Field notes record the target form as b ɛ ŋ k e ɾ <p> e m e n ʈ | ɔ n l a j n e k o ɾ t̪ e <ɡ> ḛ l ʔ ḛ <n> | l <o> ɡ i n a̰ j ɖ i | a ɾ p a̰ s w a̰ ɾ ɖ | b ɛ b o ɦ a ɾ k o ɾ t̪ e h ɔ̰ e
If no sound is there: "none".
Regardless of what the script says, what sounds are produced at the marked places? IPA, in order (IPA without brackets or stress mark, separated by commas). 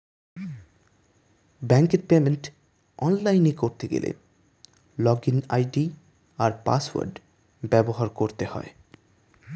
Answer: p, ɡ, none, ɔ